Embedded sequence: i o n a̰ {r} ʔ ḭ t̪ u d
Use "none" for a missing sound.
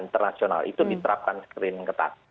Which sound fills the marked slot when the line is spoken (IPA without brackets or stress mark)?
l